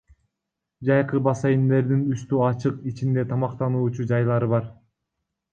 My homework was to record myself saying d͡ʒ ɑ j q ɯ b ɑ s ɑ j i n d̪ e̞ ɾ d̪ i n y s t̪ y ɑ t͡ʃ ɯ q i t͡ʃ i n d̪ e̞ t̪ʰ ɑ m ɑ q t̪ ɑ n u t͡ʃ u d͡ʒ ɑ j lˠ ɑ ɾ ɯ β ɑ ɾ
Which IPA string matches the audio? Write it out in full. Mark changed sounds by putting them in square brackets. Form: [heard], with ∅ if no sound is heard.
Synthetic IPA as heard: d͡ʒ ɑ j q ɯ b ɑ s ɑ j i n d̪ e̞ ɾ d̪ i n y s t̪ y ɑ t͡ʃ ɯ q i t͡ʃ i n d̪ e̞ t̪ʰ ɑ m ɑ q t̪ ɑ n [uː] t͡ʃ u d͡ʒ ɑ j lˠ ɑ ɾ ɯ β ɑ ɾ